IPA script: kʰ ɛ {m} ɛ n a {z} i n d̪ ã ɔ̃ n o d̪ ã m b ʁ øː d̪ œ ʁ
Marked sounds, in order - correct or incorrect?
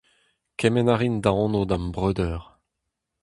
correct, incorrect

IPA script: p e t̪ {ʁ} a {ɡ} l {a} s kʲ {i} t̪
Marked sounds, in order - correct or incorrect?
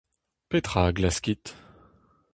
incorrect, correct, correct, correct

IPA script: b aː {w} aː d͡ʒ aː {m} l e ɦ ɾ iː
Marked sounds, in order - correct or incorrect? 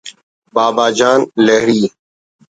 incorrect, incorrect

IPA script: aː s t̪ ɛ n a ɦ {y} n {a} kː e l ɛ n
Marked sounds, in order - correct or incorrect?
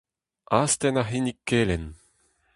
incorrect, incorrect

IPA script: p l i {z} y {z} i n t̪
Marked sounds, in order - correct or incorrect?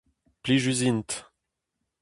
incorrect, correct

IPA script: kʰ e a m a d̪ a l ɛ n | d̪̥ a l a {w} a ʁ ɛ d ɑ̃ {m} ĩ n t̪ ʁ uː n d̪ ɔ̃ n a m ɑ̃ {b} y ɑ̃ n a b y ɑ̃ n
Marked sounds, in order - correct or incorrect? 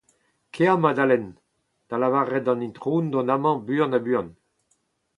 incorrect, incorrect, correct

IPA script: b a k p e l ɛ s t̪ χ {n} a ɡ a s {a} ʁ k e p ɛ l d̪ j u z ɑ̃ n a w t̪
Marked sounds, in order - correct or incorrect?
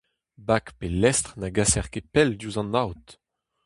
correct, incorrect

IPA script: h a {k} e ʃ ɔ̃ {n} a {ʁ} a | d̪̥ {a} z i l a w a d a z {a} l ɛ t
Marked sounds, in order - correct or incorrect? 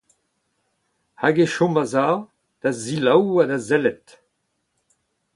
incorrect, incorrect, incorrect, correct, incorrect

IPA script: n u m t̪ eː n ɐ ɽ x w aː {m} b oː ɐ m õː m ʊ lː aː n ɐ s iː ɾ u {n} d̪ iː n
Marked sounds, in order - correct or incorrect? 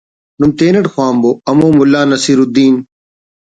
correct, incorrect

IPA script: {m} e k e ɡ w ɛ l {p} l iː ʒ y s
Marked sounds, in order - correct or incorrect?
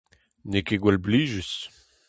incorrect, incorrect

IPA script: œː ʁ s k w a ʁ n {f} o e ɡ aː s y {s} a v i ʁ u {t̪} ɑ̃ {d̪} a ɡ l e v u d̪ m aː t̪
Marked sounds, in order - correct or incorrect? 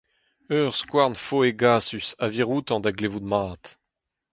correct, correct, correct, correct

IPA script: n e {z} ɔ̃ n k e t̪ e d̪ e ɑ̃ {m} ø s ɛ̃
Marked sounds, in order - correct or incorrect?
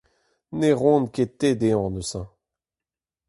incorrect, incorrect

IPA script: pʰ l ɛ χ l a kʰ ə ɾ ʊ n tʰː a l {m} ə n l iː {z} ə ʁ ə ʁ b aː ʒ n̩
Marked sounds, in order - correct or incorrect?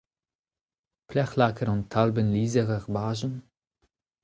incorrect, correct

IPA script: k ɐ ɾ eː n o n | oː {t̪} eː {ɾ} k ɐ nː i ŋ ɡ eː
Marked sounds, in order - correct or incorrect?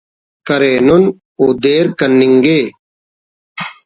incorrect, correct

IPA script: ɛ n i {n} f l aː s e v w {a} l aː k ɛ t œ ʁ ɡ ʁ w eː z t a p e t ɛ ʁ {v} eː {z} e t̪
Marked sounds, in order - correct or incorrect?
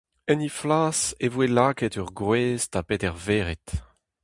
incorrect, incorrect, correct, incorrect

